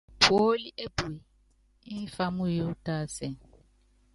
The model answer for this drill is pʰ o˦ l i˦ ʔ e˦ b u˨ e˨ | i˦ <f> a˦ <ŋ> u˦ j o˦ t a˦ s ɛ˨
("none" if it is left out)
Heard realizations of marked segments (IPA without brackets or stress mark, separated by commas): f, m